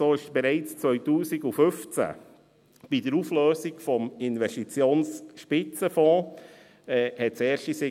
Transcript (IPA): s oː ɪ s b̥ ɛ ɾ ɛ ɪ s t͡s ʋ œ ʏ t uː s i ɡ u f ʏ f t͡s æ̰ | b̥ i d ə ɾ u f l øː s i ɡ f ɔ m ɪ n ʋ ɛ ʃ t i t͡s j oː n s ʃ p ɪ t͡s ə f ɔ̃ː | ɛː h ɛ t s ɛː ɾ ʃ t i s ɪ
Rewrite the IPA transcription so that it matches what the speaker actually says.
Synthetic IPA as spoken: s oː ɪ ʃ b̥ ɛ ɾ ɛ ɪ t͡s t͡s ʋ œ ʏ t uː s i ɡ u f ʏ f t͡s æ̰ | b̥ i d ə ɾ u f l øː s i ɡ f ɔ m ɪ n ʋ ɛ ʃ t i t͡s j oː n s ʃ p ɪ t͡s ə f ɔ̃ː | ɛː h ɛ t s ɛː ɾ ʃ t i s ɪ

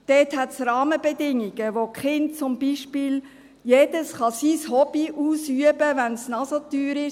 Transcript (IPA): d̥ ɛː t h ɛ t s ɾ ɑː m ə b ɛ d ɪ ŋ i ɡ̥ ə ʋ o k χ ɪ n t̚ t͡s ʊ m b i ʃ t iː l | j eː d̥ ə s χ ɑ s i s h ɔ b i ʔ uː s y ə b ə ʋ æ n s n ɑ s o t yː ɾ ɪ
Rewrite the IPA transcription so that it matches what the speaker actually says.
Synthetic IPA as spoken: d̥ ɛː t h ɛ t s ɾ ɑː m ə b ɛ d ɪ ŋ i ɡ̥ ə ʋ o k χ ɪ n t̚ t͡s ʊ m b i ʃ p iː l | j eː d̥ ə s χ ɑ s i s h ɔ b i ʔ uː s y ə b ə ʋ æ n s n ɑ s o t yː ɾ ɪ

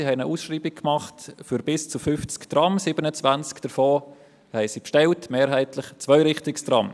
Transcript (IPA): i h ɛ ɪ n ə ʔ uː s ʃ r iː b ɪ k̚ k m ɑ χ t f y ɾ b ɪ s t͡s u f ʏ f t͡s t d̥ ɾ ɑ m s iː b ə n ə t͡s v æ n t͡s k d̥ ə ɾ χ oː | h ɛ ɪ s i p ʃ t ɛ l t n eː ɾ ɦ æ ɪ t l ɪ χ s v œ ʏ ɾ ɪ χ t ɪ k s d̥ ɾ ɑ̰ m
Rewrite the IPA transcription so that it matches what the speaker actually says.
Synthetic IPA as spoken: i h ɛ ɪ n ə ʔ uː s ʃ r iː b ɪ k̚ k m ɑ χ t f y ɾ b ɪ s t͡s u f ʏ f t͡s k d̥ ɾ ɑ m s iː b ə n ə t͡s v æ n t͡s k d̥ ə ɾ f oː | h ɛ ɪ s i p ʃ t ɛ l t m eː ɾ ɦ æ ɪ t l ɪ χ t͡s v œ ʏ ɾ ɪ χ t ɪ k s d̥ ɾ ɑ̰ m

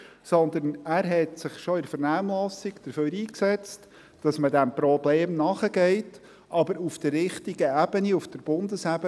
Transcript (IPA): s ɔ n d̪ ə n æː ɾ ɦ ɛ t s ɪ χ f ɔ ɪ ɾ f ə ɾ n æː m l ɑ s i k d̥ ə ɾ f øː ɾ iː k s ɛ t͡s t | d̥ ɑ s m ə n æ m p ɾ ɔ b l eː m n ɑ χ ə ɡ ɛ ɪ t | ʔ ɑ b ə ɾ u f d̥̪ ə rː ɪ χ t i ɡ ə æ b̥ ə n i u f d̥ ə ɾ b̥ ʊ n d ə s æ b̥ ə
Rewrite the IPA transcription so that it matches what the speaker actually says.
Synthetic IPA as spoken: s ɔ n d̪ ə n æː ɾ ɦ ɛ t s ɪ χ ʃ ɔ ɪ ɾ f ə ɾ n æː m l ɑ s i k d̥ ə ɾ f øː ɾ iː k s ɛ t͡s t | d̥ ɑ s m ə d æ m p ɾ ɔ b l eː m n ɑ χ ə ɡ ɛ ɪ t | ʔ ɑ b ə ɾ u f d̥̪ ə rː ɪ χ t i ɡ ə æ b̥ ə n i u f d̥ ə ɾ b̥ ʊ n d ə s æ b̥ ə

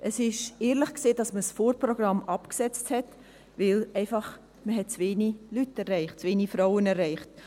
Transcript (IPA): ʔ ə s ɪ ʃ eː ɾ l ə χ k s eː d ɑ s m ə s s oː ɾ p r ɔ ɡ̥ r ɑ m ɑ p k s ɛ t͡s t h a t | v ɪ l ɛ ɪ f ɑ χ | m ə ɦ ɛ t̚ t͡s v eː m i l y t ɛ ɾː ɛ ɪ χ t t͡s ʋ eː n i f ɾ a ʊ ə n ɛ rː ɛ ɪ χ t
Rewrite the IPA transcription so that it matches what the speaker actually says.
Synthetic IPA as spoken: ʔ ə s ɪ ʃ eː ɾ l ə χ k s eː d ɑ s m ə s f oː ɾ p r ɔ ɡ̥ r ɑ m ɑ p k s ɛ t͡s t h ɛ t | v ɪ l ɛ ɪ f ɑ χ | m ə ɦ ɛ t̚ t͡s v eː n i l y t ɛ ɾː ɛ ɪ χ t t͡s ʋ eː n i f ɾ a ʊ ə n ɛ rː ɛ ɪ χ t

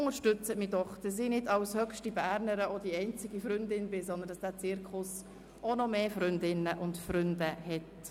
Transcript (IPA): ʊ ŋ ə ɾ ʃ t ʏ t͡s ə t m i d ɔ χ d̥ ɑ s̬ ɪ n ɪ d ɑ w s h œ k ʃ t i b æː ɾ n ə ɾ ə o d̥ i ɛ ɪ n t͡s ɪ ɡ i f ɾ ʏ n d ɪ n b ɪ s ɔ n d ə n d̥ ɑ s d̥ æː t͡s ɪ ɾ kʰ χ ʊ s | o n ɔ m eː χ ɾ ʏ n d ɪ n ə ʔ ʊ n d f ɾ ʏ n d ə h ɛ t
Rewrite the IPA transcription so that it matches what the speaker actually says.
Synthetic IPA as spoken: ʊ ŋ ə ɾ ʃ t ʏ t͡s ə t m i d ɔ χ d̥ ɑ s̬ ɪ n ɪ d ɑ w s h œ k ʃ t i b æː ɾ n ə ɾ ə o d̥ i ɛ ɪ n t͡s ɪ ɡ i f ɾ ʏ n d ɪ n b ɪ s ɔ n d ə n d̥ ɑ s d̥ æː t͡s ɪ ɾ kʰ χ ʊ s | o n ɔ m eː f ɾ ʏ n d ɪ n ə ʔ ʊ n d f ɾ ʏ n d ə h ɛ t

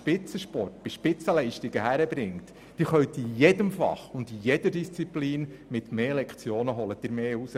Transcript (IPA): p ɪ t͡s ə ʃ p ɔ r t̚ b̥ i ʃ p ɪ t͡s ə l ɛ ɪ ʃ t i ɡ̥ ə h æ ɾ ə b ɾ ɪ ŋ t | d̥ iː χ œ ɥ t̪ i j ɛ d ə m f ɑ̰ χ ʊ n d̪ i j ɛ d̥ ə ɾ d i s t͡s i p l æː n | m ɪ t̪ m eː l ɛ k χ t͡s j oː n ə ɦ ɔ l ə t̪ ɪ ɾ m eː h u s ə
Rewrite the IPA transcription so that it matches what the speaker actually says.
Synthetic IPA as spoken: p ɪ t͡s ə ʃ p ɔ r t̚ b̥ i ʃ p ɪ t͡s ə l ɛ ɪ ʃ t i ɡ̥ ə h æ ɾ ə b ɾ ɪ ŋ t | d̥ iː χ œ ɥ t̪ i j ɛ d ə m f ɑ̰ χ ʊ n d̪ i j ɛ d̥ ə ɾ d i s t͡s i p l iː n | m ɪ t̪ m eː l ɛ k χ t͡s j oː n ə ɦ ɔ l ə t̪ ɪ ɾ m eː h u s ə

